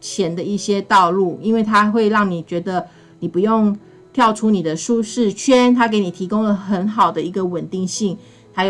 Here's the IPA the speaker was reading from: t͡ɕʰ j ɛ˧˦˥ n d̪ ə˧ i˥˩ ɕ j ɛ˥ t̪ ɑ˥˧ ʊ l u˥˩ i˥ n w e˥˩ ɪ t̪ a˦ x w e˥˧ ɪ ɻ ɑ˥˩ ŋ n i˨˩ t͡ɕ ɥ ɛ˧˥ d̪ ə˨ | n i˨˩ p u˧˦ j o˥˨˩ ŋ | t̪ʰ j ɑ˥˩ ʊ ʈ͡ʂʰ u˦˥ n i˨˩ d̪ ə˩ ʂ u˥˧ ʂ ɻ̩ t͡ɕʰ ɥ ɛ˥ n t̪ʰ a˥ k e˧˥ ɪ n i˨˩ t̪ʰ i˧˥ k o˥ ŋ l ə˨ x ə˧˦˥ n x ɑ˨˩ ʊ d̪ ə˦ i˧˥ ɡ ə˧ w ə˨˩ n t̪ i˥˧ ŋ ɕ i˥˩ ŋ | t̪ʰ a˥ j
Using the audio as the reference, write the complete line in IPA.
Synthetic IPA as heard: t͡ɕʰ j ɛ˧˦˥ n d̪ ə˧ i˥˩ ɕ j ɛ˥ t̪ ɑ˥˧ ʊ l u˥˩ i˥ n w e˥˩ ɪ t̪ʰ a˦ x w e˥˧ ɪ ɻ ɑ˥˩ ŋ n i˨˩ t͡ɕ ɥ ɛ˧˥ d̪ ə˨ | n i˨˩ p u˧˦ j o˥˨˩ ŋ | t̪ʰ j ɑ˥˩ ʊ ʈ͡ʂʰ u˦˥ n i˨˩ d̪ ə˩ ʂ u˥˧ ʂ ɻ̩ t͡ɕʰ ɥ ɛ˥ n t̪ʰ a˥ k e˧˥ ɪ n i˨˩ t̪ʰ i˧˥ k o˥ ŋ l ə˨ x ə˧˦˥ n x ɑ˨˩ ʊ d̪ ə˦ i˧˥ ɡ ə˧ w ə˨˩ n t̪ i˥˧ ŋ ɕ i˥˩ ŋ | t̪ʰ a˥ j